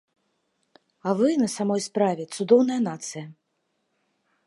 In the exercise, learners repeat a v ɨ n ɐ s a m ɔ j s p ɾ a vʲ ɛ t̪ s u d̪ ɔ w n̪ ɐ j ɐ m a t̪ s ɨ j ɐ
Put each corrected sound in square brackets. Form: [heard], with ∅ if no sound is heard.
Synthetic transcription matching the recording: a v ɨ n ɐ s a m ɔ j s p ɾ a vʲ ɛ t̪ s u d̪ ɔ w n̪ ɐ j ɐ [n] a t̪ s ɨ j ɐ